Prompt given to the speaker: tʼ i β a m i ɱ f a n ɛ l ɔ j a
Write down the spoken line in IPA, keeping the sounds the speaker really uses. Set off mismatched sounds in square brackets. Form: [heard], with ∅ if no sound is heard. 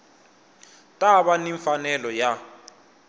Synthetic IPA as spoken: tʼ [a] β a [n] i ɱ f a n ɛ l ɔ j a